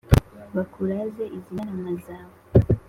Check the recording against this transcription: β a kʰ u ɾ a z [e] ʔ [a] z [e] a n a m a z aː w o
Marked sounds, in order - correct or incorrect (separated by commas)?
correct, incorrect, incorrect